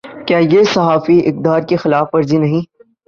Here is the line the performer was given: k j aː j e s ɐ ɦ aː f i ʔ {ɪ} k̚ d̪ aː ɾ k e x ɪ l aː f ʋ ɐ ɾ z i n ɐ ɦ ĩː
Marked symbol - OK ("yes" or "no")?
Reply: yes